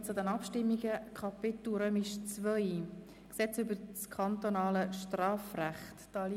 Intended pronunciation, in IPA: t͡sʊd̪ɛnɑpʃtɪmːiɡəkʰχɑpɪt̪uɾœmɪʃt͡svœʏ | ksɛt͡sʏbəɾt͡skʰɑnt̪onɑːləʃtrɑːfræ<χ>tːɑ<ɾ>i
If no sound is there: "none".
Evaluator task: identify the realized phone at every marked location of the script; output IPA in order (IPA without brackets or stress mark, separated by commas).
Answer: χ, l